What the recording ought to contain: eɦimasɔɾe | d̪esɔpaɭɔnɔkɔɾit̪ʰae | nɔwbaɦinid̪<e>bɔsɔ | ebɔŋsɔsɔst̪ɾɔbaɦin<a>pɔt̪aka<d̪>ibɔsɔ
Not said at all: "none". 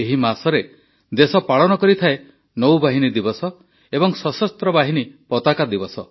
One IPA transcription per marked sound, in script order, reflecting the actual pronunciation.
i, i, d̪

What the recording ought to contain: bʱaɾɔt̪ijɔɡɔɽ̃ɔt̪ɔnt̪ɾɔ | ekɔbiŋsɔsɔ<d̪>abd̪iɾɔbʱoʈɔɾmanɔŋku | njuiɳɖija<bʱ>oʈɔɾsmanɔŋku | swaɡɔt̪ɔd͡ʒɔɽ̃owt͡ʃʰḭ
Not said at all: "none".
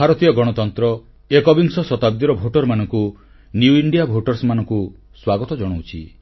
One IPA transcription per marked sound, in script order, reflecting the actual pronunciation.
t̪, bʱ

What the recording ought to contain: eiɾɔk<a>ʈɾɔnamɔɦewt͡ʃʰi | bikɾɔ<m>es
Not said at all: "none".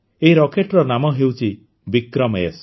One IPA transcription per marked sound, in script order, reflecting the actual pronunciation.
e, m

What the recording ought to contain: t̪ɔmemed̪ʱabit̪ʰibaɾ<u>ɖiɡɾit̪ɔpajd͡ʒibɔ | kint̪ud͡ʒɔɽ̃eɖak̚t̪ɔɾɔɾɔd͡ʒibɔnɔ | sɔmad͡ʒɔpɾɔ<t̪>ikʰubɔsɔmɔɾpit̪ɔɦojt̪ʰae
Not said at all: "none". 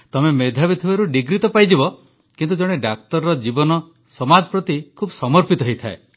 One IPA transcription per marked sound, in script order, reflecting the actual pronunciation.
u, t̪

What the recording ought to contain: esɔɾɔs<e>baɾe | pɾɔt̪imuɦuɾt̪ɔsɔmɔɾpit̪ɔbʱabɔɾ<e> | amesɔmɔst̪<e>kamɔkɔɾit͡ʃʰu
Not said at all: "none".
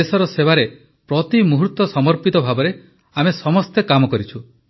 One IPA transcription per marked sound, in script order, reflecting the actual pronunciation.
e, e, e

